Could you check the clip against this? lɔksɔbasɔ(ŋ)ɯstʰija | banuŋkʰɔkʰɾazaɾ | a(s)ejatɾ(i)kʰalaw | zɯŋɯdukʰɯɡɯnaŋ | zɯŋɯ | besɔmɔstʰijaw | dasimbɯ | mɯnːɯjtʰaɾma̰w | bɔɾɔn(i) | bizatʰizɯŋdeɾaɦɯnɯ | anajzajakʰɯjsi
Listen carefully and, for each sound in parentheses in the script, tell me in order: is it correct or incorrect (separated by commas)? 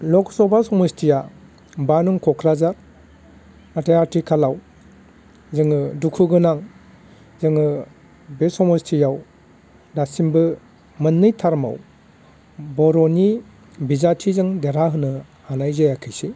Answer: incorrect, incorrect, correct, correct